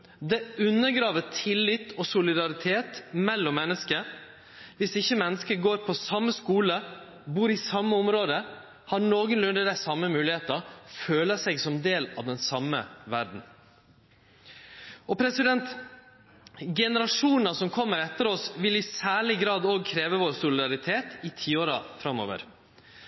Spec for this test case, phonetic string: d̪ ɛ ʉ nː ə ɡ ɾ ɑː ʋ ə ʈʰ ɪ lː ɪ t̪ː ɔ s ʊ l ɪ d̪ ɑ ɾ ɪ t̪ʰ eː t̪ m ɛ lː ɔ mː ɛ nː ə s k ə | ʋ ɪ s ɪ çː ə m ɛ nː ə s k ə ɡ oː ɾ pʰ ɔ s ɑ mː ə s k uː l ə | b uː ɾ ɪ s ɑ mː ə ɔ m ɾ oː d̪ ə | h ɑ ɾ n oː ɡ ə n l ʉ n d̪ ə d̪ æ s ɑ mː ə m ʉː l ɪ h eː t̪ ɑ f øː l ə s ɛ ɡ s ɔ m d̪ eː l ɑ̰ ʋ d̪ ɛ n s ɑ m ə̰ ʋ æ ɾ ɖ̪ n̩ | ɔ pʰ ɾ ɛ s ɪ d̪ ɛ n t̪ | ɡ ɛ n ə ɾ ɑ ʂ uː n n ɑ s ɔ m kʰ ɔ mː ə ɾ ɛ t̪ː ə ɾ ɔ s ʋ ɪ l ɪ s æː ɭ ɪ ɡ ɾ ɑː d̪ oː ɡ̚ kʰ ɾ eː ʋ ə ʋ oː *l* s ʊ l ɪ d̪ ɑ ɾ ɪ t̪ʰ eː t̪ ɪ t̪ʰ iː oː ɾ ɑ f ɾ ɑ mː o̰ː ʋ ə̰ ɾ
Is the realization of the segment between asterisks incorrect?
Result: yes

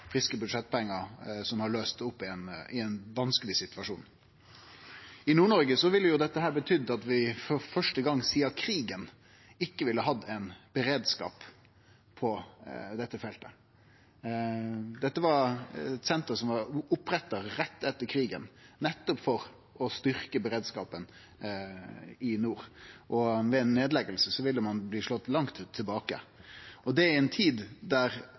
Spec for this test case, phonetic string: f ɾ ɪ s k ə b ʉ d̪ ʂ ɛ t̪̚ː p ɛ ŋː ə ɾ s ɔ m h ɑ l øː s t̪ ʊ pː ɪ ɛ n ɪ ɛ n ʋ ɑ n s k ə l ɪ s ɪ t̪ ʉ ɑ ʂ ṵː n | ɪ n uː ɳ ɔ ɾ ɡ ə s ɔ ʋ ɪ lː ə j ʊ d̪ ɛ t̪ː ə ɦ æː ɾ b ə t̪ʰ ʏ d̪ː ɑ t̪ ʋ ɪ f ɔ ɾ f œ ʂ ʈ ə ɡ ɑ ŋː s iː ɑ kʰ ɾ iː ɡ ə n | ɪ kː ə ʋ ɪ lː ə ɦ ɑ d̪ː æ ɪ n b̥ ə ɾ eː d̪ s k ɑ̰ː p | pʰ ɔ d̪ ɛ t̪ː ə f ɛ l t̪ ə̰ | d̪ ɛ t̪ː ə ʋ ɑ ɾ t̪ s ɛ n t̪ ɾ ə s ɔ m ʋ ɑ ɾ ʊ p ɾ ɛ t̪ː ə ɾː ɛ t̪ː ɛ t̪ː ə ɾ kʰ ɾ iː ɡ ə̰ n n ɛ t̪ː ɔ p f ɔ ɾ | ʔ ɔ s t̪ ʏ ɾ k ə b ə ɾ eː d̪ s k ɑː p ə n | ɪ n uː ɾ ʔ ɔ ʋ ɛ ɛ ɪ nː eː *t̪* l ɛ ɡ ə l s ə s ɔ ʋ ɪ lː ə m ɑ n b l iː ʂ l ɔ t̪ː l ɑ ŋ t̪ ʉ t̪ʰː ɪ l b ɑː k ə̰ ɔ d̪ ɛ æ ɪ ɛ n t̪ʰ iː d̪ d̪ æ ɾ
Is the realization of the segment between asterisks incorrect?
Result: yes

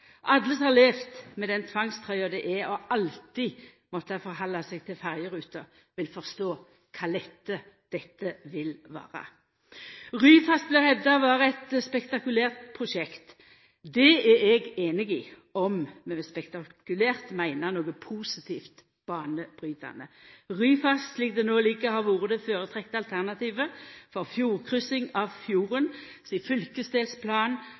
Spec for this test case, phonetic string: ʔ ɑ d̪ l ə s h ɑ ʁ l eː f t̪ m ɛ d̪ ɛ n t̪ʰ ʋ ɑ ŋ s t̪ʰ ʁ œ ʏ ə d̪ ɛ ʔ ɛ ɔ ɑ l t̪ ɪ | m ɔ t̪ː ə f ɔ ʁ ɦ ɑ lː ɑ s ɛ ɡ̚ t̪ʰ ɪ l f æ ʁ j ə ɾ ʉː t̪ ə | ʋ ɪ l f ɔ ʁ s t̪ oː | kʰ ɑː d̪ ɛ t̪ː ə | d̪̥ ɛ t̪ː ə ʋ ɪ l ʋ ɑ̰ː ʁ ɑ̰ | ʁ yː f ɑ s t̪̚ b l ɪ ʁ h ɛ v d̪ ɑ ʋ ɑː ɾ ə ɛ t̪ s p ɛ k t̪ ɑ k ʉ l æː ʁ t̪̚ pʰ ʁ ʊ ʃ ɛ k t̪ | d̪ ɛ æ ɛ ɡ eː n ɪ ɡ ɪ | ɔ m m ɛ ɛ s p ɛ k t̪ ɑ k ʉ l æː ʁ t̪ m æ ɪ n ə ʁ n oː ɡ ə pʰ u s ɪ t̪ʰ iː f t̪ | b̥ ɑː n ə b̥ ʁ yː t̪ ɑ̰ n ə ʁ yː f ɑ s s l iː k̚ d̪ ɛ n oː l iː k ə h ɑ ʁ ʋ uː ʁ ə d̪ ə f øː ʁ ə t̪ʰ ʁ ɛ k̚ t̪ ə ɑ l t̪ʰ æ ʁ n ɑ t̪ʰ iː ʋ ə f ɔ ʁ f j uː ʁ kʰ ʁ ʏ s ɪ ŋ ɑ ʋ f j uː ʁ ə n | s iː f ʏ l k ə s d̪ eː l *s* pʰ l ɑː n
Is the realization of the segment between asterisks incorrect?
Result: no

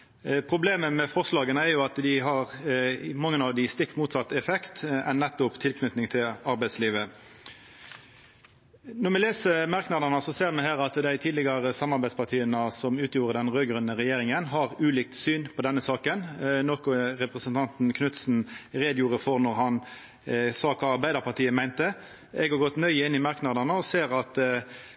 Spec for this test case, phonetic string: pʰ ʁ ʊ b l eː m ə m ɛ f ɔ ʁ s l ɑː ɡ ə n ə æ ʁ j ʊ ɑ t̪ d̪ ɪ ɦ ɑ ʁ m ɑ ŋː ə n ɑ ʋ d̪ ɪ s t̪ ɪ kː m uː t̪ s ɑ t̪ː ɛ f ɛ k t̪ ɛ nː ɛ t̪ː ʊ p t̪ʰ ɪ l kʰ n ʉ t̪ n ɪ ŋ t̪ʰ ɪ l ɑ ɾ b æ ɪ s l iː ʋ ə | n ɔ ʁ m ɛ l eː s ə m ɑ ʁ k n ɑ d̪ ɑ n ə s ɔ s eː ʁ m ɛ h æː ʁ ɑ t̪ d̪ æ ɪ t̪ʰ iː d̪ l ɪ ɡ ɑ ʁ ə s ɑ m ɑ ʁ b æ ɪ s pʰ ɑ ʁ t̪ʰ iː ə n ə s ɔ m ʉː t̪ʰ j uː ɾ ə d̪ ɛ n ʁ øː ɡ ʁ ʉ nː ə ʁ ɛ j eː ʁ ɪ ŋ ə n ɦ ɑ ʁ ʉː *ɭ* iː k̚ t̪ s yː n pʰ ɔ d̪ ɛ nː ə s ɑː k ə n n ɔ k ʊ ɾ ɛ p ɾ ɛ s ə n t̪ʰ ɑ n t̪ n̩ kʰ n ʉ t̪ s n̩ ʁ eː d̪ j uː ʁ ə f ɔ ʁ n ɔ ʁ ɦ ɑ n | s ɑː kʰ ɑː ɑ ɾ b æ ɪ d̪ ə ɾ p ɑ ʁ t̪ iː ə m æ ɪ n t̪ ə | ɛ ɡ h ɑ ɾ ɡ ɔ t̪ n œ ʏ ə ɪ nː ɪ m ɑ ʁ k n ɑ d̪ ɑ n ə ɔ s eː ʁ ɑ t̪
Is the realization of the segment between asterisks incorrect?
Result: yes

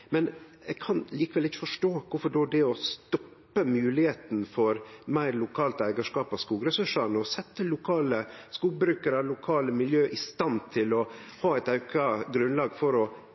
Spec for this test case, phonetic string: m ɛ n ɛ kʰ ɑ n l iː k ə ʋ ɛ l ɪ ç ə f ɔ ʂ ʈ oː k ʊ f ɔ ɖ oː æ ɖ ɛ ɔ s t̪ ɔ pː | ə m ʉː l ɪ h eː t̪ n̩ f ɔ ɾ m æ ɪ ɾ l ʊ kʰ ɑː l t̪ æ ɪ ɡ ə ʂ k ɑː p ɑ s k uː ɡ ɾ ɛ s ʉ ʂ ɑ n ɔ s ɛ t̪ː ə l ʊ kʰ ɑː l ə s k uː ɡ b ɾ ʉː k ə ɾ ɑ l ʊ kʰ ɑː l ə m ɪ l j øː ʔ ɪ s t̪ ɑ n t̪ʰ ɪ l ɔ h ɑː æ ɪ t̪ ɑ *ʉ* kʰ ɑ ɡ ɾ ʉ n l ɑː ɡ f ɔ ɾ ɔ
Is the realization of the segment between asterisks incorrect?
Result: no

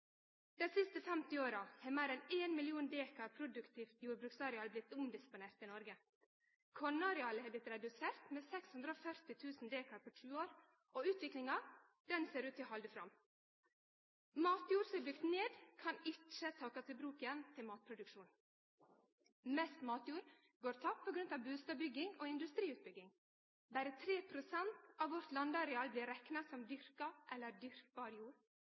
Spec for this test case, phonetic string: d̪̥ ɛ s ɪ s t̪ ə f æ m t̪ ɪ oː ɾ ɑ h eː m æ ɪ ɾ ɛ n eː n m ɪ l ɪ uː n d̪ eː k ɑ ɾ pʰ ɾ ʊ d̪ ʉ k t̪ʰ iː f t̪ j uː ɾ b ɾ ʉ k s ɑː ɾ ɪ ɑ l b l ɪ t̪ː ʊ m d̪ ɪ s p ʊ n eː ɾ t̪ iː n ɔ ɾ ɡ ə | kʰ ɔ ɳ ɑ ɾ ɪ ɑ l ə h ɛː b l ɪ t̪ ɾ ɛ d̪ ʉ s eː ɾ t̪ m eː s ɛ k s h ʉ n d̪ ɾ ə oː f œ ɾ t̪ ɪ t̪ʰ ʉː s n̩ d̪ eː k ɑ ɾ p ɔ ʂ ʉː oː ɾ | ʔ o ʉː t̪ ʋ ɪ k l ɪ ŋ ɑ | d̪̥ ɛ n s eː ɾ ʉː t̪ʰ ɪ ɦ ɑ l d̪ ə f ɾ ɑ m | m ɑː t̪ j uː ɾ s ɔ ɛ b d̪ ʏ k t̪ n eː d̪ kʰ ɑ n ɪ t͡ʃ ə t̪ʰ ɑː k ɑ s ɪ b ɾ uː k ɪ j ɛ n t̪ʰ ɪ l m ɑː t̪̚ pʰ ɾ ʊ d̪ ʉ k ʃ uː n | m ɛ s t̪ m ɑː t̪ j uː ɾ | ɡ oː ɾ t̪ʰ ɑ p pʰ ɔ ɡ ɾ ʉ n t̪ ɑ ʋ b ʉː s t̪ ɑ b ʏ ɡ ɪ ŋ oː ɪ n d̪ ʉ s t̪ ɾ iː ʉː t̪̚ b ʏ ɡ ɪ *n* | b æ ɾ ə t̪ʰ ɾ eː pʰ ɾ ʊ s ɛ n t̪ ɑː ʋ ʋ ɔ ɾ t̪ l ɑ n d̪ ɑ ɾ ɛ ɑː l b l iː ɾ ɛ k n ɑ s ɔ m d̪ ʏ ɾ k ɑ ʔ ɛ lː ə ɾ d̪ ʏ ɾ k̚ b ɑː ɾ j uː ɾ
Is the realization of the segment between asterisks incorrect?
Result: yes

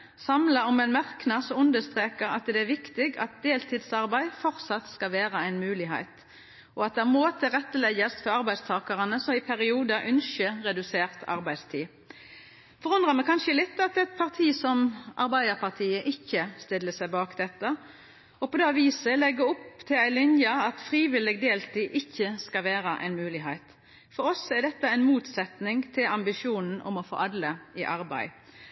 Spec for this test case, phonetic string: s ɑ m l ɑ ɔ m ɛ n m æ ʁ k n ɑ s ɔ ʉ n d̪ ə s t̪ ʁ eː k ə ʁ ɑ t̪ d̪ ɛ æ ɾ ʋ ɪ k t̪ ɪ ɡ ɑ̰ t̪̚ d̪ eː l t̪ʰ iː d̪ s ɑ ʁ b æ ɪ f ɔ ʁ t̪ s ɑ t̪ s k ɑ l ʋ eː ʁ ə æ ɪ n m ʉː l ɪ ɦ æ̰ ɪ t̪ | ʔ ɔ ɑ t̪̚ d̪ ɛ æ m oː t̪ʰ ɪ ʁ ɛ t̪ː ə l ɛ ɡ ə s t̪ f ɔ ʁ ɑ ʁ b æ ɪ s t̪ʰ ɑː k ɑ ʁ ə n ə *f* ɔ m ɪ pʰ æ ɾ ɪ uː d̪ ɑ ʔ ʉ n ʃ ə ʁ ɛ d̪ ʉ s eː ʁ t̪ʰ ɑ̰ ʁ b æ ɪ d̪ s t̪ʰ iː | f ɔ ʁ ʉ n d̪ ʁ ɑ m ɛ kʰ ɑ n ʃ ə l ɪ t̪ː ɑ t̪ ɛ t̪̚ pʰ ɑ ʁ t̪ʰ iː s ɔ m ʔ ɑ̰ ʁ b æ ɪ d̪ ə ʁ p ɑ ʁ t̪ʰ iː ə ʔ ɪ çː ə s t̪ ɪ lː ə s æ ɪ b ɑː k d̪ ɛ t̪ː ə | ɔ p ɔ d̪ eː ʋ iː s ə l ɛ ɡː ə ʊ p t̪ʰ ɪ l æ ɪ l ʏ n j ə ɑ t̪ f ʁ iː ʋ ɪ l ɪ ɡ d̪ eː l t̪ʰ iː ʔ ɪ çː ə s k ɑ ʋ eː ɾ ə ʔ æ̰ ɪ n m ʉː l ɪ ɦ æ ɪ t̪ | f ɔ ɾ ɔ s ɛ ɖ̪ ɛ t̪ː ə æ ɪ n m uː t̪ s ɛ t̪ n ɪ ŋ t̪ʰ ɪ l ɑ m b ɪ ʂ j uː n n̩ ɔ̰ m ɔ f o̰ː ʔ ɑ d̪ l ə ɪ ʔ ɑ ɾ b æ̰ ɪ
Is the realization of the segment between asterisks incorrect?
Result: yes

